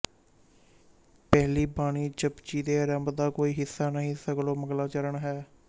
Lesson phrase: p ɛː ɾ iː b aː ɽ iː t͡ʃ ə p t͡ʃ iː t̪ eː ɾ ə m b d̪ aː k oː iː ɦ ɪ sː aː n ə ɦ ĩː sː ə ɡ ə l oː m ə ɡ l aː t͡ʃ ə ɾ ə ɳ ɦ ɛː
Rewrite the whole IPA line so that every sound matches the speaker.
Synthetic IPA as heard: p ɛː l iː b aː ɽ iː t͡ʃ ə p t͡ʃ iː d̪ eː ɾ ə m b d̪ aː k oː iː ɦ ɪ sː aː n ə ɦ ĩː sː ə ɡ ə l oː m ə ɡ l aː t͡ʃ ə ɾ ə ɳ ɦ ɛː

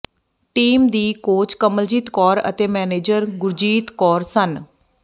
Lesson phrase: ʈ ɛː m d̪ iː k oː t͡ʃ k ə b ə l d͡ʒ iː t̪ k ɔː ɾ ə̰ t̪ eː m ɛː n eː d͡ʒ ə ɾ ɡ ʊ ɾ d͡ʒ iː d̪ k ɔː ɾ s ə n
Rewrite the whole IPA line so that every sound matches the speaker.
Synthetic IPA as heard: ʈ iː m d̪ iː k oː t͡ʃ k ə m ə l d͡ʒ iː t̪ k ɔː ɾ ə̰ t̪ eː m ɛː n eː d͡ʒ ə ɾ ɡ ʊ ɾ d͡ʒ iː t̪ k ɔː ɾ s ə n

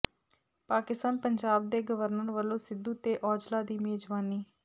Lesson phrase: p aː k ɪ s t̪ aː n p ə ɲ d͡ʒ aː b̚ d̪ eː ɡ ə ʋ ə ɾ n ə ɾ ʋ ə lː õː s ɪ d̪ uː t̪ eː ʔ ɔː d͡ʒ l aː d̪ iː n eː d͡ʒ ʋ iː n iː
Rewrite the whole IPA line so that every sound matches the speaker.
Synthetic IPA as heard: p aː k ɪ s t̪ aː n p ə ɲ d͡ʒ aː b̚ d̪ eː ɡ ə ʋ ə ɾ n ə ɾ ʋ ə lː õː s ɪ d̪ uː t̪ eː ʔ ɔː d͡ʒ l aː d̪ iː m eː d͡ʒ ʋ aː n iː

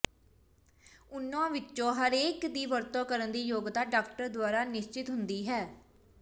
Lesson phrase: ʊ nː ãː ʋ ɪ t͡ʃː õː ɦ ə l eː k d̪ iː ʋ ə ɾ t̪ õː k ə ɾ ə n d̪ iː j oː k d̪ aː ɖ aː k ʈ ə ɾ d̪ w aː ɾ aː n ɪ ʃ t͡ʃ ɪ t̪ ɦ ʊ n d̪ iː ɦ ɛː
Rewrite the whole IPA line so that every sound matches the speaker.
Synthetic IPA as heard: ʊ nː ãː ʋ ɪ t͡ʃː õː ɦ ə ɾ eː k d̪ iː ʋ ə ɾ t̪ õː k ə ɾ ə n d̪ iː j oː ɡ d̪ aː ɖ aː k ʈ ə ɾ d̪ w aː ɾ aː n ɪ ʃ t͡ʃ ɪ t̪ ɦ ʊ n d̪ iː ɦ ɛː

